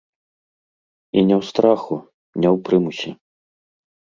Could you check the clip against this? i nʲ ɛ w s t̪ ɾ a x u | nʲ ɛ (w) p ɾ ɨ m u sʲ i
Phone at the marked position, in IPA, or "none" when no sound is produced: w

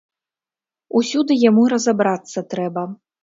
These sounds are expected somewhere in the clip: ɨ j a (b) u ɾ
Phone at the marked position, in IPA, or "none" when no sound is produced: m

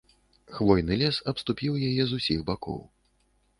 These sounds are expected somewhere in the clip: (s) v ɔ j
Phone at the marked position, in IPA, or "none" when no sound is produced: x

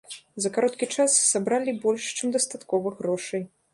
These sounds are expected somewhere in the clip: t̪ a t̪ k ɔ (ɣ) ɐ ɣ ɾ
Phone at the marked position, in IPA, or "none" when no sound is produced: v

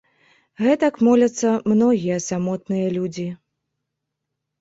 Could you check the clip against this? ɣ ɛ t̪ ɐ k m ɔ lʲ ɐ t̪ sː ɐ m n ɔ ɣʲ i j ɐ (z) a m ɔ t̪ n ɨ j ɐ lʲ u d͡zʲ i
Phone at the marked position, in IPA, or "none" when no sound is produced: s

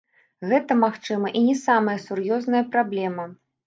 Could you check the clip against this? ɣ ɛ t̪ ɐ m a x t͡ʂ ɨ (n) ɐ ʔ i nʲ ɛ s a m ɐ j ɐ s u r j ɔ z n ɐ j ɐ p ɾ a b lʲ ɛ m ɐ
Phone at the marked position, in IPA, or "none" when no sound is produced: m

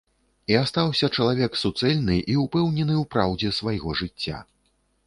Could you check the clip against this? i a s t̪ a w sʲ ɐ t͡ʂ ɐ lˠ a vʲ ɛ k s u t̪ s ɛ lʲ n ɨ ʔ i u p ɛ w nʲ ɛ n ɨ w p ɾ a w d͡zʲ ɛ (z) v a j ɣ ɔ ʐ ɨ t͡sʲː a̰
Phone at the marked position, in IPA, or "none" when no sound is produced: s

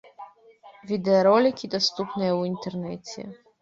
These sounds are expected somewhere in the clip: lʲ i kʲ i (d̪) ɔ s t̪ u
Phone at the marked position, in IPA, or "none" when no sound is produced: d̪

